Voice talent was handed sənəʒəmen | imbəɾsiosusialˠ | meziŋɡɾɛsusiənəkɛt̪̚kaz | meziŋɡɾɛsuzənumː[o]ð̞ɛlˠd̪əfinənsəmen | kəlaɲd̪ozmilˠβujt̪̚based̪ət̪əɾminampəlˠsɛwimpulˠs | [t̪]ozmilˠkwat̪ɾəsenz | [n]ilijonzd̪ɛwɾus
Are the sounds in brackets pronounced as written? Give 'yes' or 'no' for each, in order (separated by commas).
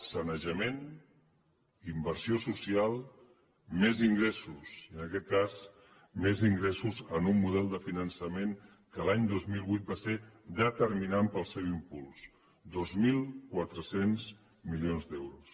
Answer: no, no, no